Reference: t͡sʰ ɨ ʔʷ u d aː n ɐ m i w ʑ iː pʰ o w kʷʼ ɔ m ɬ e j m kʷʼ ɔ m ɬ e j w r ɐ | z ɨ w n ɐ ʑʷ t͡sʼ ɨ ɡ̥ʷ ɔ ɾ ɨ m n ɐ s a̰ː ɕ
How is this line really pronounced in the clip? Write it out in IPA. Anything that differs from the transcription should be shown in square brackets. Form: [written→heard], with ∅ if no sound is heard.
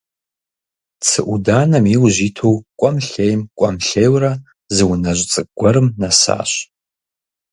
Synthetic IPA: t͡sʰ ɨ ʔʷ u d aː n ɐ m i w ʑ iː [pʰ→tʰ] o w kʷʼ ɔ m ɬ e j m kʷʼ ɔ m ɬ e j w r ɐ | z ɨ w n ɐ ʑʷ t͡sʼ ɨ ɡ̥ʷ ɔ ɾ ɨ m n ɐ s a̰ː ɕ